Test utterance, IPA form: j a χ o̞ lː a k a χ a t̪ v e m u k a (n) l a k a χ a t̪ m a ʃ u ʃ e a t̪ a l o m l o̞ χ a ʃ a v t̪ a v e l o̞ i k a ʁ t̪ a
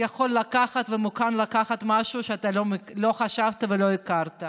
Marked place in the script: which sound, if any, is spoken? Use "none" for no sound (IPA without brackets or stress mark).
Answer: n